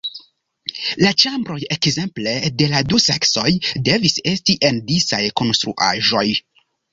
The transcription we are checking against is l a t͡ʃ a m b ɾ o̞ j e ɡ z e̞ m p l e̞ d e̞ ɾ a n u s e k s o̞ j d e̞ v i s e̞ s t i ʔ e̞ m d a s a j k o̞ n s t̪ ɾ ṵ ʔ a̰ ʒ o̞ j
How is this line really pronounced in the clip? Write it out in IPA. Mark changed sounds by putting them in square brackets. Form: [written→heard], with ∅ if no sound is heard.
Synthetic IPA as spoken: l a t͡ʃ a m b ɾ o̞ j e [ɡ→k] z e̞ m p l e̞ d e̞ [ɾ→l] a [n→d] u s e k s o̞ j d e̞ v i s e̞ s t i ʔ e̞ [m→n] d [a→i] s a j k o̞ n s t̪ ɾ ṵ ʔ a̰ ʒ o̞ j